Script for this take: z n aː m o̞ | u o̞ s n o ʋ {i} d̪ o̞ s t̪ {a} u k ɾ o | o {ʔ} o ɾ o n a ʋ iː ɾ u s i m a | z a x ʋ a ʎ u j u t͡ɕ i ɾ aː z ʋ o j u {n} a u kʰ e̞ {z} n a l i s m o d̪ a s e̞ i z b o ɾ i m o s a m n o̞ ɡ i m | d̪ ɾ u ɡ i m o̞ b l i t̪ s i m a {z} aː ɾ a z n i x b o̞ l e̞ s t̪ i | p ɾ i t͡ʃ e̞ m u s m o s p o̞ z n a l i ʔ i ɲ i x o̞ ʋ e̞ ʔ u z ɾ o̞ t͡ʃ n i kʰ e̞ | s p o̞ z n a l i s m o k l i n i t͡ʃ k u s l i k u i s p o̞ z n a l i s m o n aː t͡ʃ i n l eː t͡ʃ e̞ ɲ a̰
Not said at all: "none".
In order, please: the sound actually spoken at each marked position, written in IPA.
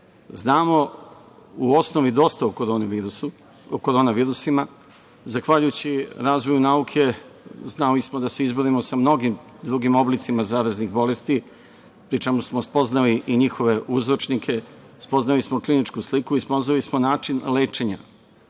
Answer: i, a, k, n, z, z

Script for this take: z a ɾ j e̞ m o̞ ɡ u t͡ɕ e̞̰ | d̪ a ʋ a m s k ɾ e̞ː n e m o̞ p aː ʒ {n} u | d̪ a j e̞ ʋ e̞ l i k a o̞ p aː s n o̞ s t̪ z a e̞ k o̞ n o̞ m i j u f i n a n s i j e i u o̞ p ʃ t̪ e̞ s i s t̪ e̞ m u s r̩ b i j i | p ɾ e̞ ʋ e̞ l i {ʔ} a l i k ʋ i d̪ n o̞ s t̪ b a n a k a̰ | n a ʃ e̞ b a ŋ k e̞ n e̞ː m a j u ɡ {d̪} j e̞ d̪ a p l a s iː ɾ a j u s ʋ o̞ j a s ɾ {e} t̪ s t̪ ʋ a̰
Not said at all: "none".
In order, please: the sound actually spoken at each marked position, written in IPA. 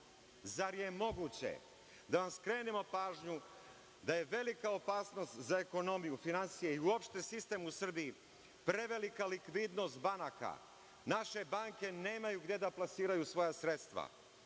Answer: ɲ, k, d̪, e

